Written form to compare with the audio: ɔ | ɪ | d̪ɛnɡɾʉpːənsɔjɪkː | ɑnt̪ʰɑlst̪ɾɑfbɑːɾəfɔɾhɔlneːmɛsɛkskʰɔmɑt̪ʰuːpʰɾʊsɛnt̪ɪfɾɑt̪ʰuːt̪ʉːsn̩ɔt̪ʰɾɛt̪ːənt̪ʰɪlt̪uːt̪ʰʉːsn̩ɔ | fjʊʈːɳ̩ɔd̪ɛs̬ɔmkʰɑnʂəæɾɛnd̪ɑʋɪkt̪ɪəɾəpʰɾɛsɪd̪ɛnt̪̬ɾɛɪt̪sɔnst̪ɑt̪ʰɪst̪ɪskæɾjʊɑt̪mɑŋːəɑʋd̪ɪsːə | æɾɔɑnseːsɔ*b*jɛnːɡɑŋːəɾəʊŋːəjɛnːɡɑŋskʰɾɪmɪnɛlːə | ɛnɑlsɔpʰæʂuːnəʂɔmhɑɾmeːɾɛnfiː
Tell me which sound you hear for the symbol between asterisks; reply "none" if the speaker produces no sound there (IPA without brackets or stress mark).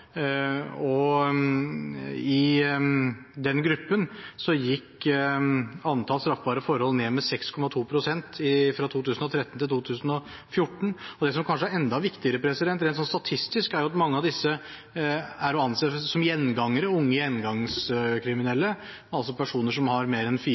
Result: m